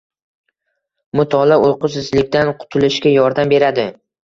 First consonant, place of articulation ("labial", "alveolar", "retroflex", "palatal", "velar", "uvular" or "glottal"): labial